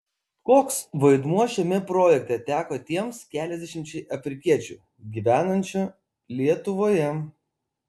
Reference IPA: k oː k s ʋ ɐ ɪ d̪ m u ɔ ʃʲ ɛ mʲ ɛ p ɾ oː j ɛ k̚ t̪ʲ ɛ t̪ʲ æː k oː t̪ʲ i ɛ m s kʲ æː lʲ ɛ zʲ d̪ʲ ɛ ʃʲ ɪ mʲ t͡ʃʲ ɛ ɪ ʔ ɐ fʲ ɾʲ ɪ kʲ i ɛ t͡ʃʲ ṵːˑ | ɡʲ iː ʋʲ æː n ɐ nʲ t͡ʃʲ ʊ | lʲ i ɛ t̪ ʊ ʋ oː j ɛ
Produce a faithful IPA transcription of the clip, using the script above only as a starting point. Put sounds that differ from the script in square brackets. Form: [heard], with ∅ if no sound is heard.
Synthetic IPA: k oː k s ʋ ɐ ɪ d̪ m u ɔ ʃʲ ɛ mʲ ɛ p ɾ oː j ɛ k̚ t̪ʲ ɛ t̪ʲ æː k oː t̪ʲ i ɛ m s kʲ æː lʲ ɛ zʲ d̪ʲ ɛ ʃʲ ɪ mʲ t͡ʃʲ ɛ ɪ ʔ ɐ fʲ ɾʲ ɪ kʲ i ɛ t͡ʃʲ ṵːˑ | ɡʲ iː ʋʲ æː n ɐ nʲ t͡ʃʲ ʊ | lʲ i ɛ t̪ ʊ ʋ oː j ɛ